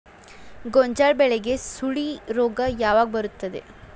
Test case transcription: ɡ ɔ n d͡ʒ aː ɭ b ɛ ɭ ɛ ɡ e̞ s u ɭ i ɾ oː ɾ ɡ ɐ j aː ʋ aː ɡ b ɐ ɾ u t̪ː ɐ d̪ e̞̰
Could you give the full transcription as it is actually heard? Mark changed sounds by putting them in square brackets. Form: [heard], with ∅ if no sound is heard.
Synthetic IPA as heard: ɡ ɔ [ɲ] d͡ʒ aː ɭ b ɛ ɭ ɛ ɡ e̞ s u ɭ i ɾ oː [∅] ɡ ɐ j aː ʋ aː ɡ b ɐ ɾ u t̪ː ɐ d̪ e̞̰